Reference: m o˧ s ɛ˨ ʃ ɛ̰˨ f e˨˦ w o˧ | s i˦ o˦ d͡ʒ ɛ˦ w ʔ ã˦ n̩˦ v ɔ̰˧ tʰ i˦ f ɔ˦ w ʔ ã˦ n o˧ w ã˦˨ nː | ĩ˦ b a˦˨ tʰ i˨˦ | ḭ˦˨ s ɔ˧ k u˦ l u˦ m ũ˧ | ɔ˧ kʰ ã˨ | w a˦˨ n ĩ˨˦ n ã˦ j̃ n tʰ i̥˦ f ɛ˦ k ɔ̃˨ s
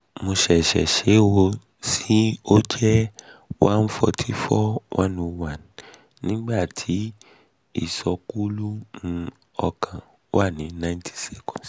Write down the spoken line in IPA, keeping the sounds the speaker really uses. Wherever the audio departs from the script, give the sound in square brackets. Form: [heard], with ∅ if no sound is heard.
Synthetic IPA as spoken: m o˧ [ʃ] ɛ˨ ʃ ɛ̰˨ [ʃ] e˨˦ w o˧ | s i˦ o˦ d͡ʒ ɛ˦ w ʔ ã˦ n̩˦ [f] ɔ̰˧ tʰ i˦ f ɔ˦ w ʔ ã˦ n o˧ w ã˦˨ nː | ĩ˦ [ɡ͡b] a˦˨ tʰ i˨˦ | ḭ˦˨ s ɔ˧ k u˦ l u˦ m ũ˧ | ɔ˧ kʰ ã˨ | w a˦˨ n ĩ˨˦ n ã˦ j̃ n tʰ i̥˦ [s] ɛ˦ k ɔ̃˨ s